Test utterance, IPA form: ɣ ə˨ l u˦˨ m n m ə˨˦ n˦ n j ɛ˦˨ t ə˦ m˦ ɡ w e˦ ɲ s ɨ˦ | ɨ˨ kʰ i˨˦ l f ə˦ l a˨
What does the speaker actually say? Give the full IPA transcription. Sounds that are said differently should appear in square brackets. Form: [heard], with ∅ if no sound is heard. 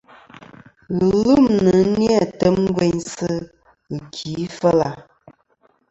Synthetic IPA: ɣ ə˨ l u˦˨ m n [n] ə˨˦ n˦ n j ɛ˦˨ t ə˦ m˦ ɡ w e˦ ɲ s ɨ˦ | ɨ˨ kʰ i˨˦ [∅] f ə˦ l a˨